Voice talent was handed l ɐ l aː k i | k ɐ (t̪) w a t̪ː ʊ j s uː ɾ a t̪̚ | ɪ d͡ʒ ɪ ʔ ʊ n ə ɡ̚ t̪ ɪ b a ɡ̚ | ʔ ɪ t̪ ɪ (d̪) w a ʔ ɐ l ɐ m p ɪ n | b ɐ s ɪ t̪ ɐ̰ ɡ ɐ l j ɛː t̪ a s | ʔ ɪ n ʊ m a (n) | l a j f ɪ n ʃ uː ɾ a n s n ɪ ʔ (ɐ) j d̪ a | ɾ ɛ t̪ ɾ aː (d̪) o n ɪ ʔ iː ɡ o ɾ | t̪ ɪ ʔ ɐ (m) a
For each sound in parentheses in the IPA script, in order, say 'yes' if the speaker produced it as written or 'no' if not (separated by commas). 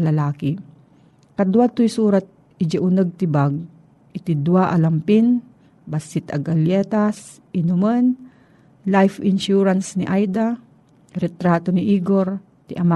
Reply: no, yes, yes, no, no, yes